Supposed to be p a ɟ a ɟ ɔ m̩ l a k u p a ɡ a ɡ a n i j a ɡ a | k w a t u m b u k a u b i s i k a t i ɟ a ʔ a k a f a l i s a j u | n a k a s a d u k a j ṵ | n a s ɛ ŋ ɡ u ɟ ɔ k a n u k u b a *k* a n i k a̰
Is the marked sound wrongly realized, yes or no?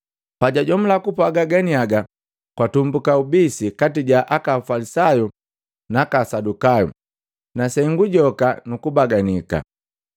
yes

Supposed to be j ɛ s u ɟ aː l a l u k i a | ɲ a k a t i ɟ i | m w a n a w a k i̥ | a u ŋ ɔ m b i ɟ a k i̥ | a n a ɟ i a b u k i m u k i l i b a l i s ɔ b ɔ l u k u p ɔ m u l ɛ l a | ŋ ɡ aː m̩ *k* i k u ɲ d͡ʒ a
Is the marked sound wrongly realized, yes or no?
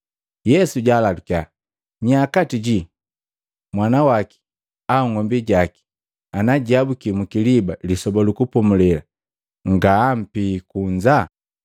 yes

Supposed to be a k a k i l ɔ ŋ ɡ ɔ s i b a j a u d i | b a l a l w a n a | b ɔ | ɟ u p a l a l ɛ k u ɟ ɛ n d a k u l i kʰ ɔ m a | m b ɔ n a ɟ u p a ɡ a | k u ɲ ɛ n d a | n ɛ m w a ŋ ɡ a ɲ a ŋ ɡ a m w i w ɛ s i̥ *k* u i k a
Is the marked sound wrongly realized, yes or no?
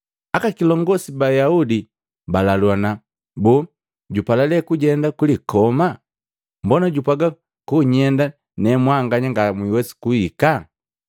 no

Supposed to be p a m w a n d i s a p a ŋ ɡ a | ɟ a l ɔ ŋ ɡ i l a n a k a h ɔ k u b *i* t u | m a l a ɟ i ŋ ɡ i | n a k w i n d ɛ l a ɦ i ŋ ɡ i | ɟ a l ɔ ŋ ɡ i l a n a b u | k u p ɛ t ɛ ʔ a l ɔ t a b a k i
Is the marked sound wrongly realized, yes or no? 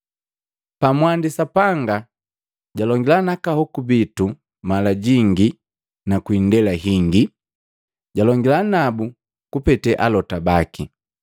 no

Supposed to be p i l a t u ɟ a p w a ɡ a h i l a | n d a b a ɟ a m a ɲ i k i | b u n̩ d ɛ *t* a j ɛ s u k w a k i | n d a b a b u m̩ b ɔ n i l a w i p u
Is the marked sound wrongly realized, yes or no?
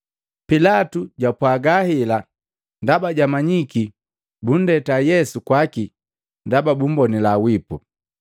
no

